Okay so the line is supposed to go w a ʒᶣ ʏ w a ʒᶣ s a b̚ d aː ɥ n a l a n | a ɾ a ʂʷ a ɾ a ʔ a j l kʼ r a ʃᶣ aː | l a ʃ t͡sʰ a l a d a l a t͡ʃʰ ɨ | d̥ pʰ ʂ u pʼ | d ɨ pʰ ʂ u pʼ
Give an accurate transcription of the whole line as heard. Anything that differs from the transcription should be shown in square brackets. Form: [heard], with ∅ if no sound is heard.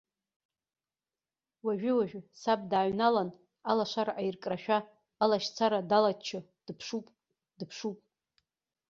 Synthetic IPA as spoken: w a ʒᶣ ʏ w a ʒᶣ s a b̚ d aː ɥ n a l a n | a [l] a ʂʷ a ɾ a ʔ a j [r] kʼ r a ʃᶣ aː | l a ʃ t͡sʰ a [ɾ] a d a l a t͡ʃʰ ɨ | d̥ pʰ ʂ u pʼ | d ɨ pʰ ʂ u pʼ